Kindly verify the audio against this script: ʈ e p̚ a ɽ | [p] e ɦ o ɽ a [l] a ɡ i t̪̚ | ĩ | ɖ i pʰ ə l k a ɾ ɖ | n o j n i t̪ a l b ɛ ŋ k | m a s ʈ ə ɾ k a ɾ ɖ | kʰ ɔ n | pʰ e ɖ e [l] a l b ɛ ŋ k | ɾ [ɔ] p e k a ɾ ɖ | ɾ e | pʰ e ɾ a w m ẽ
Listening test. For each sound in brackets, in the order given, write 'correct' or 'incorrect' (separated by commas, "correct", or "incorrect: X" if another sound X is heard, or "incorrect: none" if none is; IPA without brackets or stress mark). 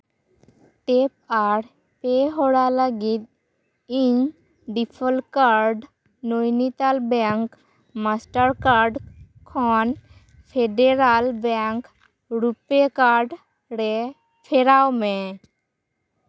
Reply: correct, correct, incorrect: ɾ, incorrect: u